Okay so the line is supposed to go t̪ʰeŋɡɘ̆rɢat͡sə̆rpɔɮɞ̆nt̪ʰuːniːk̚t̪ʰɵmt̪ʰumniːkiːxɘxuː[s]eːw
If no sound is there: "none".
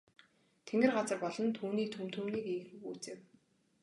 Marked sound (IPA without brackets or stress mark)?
t͡s